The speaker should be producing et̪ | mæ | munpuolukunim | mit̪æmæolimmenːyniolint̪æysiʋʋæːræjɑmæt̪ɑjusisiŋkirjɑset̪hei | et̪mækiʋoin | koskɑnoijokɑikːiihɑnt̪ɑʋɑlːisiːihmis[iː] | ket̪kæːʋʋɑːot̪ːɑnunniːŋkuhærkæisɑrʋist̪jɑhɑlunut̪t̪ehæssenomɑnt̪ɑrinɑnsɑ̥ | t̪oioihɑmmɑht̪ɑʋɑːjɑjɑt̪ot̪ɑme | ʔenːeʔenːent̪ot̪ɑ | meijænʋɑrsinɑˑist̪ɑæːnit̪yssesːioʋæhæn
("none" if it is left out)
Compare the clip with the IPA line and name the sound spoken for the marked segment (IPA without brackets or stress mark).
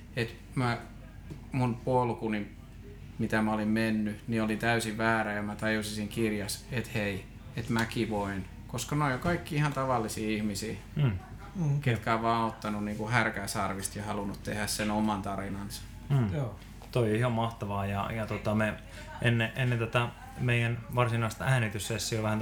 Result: iː